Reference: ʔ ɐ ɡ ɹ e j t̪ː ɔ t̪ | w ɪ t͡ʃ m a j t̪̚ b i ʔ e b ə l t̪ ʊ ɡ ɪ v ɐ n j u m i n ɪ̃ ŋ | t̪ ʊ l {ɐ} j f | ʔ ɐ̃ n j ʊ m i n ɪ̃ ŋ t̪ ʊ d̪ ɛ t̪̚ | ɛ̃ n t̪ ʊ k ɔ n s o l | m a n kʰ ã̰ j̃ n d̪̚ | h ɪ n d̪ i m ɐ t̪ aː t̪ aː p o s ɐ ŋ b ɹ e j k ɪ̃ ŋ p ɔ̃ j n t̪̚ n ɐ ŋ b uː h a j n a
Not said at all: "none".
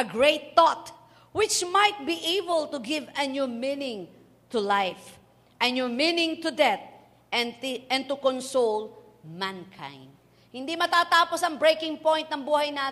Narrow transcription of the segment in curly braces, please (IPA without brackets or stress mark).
a